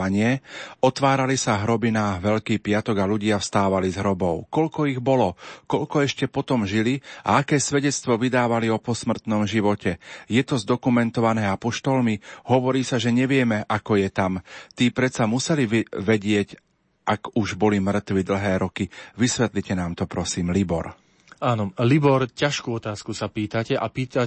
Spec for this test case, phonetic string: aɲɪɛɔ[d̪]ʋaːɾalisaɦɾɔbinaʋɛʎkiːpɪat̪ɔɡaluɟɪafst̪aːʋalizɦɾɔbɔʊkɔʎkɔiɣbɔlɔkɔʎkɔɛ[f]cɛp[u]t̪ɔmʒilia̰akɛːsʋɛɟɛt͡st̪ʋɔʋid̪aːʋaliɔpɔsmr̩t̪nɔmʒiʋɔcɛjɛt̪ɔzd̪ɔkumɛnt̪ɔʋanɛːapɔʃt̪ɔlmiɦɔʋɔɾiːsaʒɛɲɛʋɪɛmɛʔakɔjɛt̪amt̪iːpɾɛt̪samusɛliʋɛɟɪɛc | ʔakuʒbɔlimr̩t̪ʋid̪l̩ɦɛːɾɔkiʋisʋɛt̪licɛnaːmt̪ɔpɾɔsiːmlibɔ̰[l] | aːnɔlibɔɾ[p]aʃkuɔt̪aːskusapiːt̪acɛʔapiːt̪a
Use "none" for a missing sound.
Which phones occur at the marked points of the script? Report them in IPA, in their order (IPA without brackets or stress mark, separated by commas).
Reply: t̪, ʃ, ɔ, ɾ, c